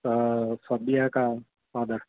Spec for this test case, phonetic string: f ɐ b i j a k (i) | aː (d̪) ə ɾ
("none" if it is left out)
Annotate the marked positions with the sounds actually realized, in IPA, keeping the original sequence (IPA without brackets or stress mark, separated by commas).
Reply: a, d̪